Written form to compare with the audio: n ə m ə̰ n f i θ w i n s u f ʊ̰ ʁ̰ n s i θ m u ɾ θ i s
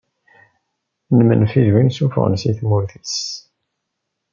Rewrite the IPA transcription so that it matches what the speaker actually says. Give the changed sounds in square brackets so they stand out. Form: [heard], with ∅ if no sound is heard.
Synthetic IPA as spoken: n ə m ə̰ n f i [ð] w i n s u f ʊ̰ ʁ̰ n s i θ m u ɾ θ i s

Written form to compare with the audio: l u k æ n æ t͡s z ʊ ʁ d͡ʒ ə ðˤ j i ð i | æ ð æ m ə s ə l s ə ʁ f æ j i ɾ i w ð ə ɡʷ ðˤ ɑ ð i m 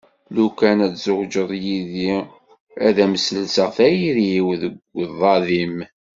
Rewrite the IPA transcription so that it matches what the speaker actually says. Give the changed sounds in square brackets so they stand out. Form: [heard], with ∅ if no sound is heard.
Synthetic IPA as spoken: l u k æ n æ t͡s z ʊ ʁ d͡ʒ ə ðˤ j i ð i | æ ð æ m ə s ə l s ə ʁ [θ] æ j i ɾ i w ð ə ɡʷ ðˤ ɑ ð i m

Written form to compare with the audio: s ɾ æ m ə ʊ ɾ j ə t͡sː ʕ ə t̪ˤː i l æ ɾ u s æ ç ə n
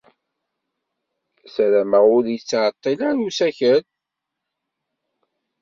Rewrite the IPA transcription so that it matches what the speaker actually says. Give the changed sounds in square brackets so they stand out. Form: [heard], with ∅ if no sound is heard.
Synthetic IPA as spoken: s ɾ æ m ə ʊ ɾ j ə t͡sː ʕ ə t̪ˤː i l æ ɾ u s æ ç ə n

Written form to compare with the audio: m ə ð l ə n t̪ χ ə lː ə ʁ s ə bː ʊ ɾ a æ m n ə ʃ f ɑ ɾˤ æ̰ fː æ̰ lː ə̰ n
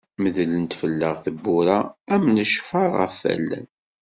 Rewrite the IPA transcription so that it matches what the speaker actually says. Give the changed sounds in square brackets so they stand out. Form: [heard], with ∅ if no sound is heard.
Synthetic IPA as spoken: m ə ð l ə n t̪ [f] ə lː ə ʁ [θ] ə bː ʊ ɾ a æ m n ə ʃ f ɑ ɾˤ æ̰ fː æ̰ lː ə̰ n

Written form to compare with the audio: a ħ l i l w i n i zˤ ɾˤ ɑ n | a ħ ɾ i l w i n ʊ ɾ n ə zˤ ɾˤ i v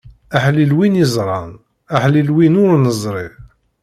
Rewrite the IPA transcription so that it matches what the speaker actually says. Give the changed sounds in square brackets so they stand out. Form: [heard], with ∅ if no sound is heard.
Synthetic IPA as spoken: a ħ l i l w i n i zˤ ɾˤ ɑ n | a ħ [l] i l w i n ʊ ɾ n ə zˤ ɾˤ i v

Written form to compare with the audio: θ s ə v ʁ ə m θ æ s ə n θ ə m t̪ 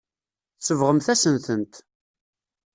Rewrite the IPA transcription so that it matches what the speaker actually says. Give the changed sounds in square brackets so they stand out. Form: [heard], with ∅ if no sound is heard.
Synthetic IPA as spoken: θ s ə v ʁ ə m θ æ s ə n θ ə [n] t̪

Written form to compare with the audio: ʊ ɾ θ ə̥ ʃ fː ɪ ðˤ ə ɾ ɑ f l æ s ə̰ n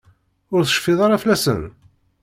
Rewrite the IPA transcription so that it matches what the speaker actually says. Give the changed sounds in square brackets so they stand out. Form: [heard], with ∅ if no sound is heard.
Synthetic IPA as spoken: ʊ ɾ θ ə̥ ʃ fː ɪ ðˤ [ɑ] ɾ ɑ f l æ s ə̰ n

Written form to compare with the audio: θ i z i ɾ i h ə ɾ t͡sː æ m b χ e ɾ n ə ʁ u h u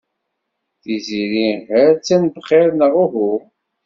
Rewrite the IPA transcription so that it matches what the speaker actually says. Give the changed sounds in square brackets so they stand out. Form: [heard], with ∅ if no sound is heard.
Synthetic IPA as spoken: θ i z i ɾ i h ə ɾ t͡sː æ [n] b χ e ɾ n ə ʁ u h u

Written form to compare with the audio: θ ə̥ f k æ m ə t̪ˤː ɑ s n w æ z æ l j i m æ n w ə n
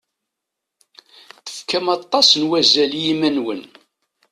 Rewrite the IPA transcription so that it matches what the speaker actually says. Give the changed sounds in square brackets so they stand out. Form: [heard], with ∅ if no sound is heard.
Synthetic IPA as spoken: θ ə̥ f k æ m [ɑ] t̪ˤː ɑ s n w æ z æ l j i m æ n w ə n

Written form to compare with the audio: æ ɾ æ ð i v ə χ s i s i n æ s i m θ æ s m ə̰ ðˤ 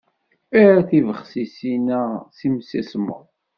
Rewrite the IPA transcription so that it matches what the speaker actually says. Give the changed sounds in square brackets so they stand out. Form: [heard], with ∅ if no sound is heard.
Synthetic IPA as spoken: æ ɾ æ [θ] i v ə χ s i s i n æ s i m [s] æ s m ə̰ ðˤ

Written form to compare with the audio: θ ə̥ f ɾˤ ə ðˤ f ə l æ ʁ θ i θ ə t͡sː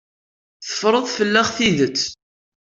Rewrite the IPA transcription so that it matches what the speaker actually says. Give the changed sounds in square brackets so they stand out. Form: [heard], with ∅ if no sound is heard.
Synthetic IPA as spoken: θ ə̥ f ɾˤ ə ðˤ f ə [lː] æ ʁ θ i [ð] ə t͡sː

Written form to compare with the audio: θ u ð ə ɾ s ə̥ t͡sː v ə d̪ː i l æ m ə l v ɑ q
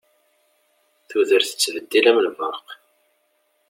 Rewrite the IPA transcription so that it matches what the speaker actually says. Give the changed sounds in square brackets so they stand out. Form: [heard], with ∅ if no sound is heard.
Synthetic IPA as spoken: θ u ð ə ɾ [θ] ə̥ t͡sː v ə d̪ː i l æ m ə l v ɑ q

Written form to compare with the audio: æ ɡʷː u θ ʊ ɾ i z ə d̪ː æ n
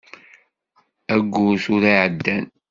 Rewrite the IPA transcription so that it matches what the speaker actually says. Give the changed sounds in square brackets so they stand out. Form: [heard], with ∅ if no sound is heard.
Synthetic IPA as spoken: æ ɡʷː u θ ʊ ɾ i [ʕ] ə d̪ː æ n

